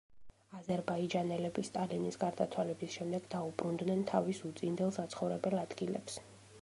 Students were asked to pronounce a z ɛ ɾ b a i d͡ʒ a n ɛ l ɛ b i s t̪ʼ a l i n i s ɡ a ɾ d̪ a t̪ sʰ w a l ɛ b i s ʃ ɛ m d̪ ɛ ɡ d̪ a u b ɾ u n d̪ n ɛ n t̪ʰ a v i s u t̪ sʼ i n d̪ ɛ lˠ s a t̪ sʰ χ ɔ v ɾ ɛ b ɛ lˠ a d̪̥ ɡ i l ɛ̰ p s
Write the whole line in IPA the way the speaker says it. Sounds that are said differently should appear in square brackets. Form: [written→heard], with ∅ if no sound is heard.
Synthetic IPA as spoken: a z ɛ ɾ b a i d͡ʒ a n ɛ l ɛ b i s t̪ʼ a l i n i s ɡ a ɾ d̪ a t̪ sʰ w a l ɛ b i s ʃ ɛ m d̪ ɛ ɡ d̪ a u b ɾ u n d̪ n ɛ n t̪ʰ a v i s u t̪ sʼ i n d̪ ɛ lˠ s a t̪ sʰ χ ɔ v ɾ ɛ b ɛ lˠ a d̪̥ ɡ i l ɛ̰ p s